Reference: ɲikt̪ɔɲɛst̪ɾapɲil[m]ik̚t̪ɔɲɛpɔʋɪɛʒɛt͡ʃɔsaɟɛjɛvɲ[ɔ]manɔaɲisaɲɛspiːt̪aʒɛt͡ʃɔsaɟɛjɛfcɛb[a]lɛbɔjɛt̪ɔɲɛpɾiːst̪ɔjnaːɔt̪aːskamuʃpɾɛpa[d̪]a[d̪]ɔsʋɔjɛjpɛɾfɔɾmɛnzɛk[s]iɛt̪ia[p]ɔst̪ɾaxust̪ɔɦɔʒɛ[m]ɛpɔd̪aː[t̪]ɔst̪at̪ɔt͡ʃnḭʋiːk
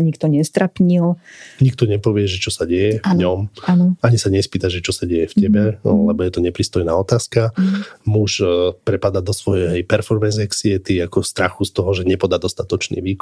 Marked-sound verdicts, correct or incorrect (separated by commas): incorrect, correct, incorrect, correct, correct, correct, incorrect, incorrect, incorrect